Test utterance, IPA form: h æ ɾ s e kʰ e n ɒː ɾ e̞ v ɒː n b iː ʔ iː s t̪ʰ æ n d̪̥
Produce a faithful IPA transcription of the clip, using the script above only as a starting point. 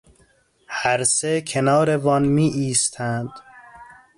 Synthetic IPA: h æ ɾ s e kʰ e n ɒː ɾ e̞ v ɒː n m iː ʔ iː s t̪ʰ æ n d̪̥

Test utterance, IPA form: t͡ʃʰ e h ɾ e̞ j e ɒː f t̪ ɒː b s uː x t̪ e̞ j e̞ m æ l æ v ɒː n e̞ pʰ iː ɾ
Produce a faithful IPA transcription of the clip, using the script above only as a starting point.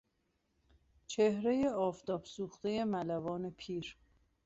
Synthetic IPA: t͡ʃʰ e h ɾ e̞ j e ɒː f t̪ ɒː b s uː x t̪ e̞ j e̞ m æ l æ v ɒː n e̞ pʰ iː ɾ

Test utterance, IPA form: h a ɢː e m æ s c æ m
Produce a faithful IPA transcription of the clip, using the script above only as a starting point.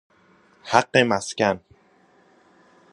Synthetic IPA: h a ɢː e m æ s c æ n

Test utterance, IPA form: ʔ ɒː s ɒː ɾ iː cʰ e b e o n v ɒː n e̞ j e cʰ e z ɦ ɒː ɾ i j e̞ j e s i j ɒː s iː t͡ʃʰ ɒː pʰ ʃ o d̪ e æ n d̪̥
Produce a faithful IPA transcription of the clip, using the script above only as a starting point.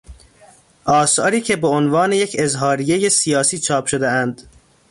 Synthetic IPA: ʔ ɒː s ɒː ɾ iː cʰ e b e o n v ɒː n e̞ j e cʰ e z ɦ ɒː ɾ i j e̞ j e s i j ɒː s iː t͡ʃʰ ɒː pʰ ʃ o d̪ e æ n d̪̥

